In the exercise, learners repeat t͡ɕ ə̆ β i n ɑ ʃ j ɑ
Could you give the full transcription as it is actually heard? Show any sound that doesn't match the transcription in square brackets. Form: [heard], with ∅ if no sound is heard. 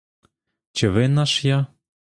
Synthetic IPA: t͡ɕ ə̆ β [e] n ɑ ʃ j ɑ